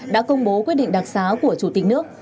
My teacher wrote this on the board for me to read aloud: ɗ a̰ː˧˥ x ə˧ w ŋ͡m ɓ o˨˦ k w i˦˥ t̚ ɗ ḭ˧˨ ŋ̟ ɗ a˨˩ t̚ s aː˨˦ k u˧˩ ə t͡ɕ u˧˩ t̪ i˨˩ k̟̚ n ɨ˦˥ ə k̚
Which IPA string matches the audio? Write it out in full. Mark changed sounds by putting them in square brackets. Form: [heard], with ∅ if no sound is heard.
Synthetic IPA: ɗ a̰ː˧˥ [k] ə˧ w ŋ͡m ɓ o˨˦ k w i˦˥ t̚ ɗ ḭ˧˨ ŋ̟ ɗ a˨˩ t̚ s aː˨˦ k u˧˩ ə t͡ɕ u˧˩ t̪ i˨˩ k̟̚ n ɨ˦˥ ə k̚